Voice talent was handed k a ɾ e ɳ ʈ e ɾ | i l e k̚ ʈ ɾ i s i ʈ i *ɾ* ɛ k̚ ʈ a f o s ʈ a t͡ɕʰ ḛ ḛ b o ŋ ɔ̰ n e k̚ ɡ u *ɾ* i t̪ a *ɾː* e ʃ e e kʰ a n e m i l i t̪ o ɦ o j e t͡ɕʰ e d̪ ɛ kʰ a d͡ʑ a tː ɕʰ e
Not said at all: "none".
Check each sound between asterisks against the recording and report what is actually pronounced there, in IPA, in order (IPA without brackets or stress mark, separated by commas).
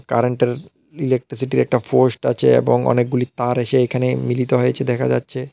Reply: ɾ, l, ɾ